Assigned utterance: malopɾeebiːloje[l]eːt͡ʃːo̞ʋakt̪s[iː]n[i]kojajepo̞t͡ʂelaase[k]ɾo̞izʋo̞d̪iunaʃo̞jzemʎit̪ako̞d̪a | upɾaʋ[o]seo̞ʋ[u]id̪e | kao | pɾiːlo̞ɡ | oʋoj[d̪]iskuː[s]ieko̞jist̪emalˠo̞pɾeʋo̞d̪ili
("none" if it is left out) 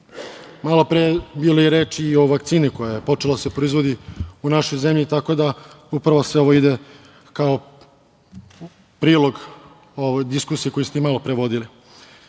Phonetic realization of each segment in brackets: ɾ, iː, i, p, o, o, d̪, s

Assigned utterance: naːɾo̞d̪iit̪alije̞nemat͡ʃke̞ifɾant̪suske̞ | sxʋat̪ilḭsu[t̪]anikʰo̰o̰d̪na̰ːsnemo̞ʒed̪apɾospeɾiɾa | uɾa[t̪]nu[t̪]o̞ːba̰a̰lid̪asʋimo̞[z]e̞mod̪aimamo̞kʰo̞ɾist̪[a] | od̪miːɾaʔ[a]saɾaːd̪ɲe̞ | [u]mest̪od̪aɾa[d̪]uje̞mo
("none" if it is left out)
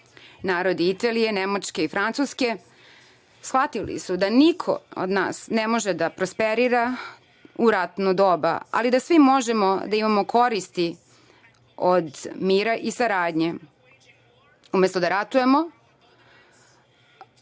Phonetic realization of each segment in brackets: d̪, t̪, d̪, ʒ, i, i, u, t̪

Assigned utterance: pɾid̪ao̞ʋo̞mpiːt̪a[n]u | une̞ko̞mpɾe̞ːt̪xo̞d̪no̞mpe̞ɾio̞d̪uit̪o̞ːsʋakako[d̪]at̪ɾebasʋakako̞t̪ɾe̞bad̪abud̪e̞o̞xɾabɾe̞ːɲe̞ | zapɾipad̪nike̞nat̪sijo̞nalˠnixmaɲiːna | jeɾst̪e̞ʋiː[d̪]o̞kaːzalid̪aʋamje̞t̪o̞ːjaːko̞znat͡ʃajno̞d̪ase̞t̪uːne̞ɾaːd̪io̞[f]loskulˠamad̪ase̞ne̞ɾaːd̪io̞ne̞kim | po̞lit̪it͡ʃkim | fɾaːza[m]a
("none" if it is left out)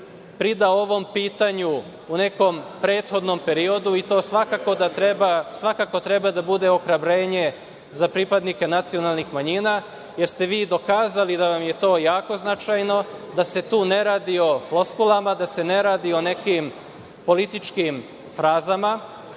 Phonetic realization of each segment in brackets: ɲ, d̪, d̪, f, m

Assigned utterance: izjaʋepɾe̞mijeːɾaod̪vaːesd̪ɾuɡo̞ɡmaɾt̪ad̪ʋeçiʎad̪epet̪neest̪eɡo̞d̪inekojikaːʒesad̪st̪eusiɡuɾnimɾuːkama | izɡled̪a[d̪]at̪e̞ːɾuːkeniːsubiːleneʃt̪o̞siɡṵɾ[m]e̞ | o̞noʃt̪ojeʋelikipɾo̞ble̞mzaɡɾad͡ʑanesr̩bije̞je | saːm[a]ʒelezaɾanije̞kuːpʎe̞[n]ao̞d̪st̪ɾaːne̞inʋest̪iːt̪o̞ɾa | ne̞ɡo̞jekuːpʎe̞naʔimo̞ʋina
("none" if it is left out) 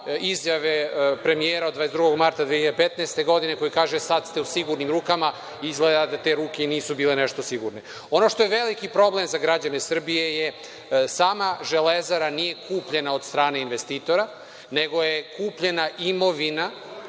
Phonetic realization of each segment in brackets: d̪, n, a, n

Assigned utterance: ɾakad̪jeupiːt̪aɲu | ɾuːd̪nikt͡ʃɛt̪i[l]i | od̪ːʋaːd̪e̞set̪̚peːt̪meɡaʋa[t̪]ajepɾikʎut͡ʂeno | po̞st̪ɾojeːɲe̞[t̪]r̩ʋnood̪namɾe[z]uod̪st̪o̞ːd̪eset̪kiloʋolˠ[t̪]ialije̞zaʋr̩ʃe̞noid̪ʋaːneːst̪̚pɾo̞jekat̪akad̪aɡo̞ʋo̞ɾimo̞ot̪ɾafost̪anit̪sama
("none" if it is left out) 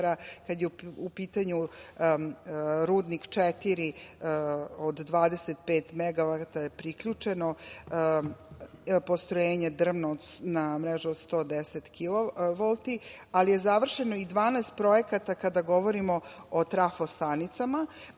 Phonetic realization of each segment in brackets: ɾ, t̪, d̪, ʒ, t̪

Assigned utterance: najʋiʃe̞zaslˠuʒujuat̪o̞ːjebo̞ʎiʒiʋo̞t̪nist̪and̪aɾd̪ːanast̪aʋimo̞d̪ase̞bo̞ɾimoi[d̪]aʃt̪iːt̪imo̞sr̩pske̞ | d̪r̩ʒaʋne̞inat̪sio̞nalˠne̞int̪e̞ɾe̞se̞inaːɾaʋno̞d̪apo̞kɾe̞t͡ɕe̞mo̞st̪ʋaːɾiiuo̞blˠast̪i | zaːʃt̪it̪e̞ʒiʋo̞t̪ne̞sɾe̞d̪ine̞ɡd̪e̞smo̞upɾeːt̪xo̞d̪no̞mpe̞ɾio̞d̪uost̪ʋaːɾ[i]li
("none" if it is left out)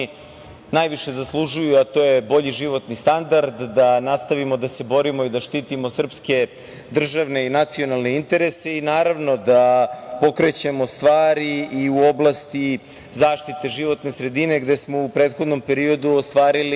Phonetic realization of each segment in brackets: d̪, i

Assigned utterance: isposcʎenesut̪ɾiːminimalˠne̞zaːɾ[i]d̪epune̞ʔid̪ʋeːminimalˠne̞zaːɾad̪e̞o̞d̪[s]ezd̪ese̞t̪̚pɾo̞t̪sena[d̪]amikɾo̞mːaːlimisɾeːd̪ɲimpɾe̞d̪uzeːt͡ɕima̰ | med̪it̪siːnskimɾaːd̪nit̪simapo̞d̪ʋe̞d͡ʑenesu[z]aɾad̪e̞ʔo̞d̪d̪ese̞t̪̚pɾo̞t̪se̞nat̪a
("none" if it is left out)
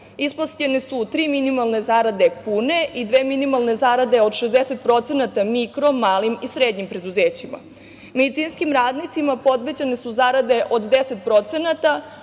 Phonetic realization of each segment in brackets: a, ʃ, t̪, z

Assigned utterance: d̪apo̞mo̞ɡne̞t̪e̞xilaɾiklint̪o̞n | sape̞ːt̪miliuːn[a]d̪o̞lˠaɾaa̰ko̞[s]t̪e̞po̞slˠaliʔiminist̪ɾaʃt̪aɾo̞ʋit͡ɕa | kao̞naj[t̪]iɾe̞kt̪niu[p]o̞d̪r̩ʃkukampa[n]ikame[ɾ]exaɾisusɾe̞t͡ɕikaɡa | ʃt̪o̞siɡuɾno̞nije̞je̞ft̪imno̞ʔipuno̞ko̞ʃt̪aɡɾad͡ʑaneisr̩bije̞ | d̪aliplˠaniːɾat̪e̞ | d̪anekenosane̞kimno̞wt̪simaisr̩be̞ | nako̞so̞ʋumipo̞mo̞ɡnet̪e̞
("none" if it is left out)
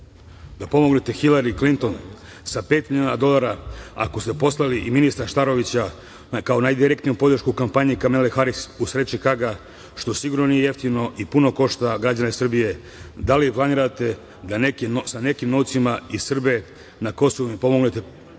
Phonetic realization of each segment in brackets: a, s, d̪, p, ɲ, l

